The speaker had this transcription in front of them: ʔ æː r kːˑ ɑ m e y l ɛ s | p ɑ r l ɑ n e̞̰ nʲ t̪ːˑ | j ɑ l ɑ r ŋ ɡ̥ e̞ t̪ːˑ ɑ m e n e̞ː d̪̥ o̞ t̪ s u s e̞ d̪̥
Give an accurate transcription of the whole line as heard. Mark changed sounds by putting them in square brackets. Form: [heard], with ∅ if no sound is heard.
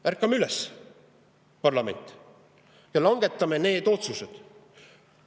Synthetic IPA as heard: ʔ [æ] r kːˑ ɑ m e y l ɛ s | p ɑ r l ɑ [m] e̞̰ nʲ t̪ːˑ | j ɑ l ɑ [∅] ŋ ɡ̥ e̞ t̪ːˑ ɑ m e n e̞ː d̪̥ o̞ t̪ s u s e̞ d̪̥